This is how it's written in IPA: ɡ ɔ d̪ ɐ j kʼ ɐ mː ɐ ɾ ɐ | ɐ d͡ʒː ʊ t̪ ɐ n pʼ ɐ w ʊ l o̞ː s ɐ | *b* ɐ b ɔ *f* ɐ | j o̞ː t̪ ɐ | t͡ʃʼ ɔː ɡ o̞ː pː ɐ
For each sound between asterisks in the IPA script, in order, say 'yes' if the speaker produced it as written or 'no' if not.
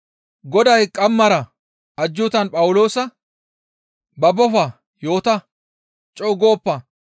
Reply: yes, yes

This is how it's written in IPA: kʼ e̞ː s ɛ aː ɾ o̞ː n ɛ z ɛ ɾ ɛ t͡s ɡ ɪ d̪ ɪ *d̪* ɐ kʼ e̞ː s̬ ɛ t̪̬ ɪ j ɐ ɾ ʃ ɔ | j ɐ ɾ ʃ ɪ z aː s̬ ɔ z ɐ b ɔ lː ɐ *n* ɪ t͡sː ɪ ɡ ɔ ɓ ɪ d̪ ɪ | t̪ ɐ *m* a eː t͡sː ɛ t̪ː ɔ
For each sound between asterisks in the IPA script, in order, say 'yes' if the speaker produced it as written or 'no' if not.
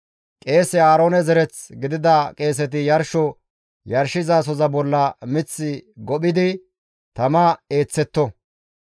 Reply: yes, no, yes

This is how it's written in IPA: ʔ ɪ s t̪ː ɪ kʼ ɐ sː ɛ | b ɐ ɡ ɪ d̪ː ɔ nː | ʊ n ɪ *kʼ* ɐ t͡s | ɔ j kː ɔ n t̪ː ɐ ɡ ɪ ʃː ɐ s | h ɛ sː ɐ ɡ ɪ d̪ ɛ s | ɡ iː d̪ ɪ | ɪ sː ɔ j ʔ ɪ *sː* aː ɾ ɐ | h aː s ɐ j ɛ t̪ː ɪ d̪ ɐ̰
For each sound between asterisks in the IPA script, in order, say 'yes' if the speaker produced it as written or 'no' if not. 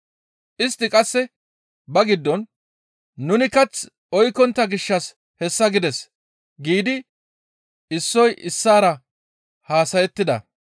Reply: no, yes

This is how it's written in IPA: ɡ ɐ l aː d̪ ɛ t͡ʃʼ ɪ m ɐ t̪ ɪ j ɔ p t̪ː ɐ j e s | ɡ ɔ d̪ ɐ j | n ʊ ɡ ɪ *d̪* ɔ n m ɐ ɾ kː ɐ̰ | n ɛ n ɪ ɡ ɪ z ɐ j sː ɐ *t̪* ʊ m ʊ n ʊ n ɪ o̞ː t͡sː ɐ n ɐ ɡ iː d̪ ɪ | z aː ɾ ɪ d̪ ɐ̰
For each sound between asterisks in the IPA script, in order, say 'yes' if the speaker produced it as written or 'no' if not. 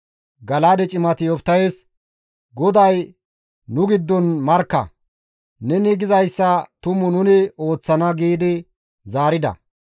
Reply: no, yes

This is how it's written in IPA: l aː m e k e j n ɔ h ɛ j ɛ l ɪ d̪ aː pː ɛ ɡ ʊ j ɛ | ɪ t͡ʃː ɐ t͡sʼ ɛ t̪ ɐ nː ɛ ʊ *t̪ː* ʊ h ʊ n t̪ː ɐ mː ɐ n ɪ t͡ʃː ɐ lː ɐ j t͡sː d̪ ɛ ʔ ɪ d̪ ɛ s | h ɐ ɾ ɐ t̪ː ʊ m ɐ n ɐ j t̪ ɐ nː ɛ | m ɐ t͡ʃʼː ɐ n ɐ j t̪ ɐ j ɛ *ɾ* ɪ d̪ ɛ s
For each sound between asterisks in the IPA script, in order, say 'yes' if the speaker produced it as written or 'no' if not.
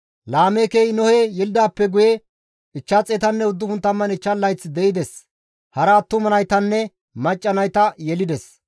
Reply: no, no

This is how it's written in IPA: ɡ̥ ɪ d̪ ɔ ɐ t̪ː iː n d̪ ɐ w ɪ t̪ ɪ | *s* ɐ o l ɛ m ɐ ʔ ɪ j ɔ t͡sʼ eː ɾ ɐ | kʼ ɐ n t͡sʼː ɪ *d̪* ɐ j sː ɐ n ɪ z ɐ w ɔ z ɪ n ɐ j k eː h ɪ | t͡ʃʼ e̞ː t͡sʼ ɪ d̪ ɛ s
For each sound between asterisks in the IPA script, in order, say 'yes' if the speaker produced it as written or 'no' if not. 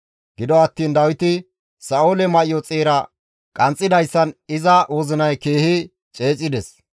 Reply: yes, yes

